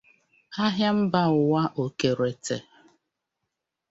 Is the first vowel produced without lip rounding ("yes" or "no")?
yes